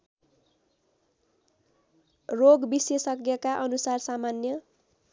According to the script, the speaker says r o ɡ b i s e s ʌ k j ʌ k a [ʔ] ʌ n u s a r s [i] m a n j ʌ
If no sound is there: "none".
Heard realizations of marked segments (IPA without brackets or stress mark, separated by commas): ʔ, a